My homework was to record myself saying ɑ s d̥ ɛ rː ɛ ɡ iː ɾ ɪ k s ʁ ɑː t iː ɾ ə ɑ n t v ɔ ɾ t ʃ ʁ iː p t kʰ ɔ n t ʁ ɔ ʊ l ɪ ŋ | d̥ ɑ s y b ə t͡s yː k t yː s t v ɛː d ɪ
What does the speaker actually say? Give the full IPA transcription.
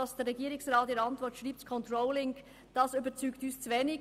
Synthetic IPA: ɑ s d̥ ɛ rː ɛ ɡ iː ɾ ɪ k s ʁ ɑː t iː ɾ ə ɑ n t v ɔ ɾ t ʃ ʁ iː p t kʰ ɔ n t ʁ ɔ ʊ l ɪ ŋ | d̥ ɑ s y b ə t͡s yː k t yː s t͡s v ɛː n ɪ

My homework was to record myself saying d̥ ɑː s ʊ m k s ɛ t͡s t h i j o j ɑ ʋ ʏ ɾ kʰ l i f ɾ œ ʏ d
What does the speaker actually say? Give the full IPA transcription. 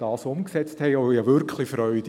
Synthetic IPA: d̥ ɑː s ʊ m k s ɛ t͡s t h ɛ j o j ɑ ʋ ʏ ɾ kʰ l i f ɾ œ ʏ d

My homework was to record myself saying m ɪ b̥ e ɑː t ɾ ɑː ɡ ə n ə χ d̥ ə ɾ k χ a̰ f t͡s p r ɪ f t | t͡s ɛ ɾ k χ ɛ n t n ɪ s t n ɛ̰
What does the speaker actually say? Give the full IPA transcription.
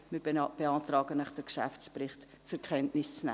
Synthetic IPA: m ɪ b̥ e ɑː t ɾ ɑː ɡ ə n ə χ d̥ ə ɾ k ʃ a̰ f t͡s p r ɪ χ t | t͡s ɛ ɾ k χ ɛ n t n ɪ s t͡s n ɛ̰

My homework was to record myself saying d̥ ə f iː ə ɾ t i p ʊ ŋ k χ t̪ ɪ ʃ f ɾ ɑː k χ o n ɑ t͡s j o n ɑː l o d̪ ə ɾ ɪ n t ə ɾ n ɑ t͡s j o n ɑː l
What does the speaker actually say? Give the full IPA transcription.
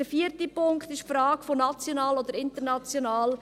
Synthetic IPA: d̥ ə f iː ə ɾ t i p ʊ ŋ k χ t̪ ɪ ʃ f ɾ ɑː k f o n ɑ t͡s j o n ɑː l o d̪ ə ɾ ɪ n t ə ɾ n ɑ t͡s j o n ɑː l

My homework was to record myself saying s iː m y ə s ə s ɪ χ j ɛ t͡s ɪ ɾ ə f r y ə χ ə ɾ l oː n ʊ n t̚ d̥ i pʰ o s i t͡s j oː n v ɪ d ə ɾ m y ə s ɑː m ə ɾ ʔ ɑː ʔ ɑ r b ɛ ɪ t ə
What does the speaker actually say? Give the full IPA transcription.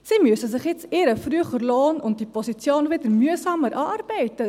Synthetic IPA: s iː m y ə s ə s ɪ χ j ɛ t͡s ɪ ɾ ə f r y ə χ ə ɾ l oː n ʊ n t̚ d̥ i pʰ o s i t͡s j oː n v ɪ d ə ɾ m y ə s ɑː m ə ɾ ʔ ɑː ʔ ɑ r b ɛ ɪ t ə

